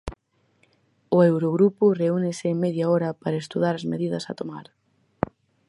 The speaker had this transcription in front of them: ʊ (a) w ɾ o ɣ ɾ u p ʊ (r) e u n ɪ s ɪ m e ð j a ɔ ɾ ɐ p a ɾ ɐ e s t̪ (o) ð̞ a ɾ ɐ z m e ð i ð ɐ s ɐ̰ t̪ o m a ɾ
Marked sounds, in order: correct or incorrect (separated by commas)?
incorrect, correct, incorrect